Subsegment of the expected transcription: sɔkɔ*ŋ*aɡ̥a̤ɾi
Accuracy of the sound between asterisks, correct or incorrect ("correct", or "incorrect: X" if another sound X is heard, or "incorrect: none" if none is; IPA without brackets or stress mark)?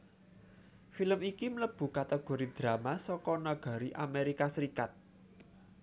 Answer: incorrect: n